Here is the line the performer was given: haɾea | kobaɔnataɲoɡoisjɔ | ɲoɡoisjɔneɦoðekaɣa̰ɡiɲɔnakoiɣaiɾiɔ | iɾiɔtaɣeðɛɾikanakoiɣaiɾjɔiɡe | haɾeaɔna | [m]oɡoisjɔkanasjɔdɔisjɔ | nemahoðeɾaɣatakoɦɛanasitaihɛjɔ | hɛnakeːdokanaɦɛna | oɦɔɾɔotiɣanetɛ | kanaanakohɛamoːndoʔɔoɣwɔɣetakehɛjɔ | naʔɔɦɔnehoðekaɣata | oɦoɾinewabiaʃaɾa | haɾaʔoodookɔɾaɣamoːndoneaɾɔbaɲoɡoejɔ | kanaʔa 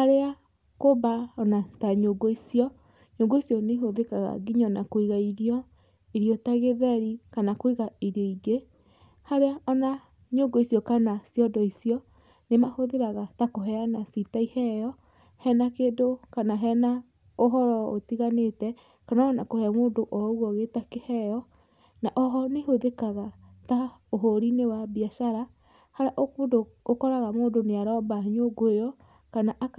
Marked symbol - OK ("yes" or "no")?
no